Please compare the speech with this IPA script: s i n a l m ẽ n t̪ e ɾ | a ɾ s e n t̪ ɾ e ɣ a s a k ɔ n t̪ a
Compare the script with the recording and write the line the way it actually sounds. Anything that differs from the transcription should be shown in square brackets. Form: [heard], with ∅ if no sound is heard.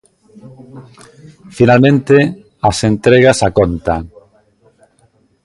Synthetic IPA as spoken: [f] i n a l m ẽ n t̪ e [∅] | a [∅] s e n t̪ ɾ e ɣ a s a k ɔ n t̪ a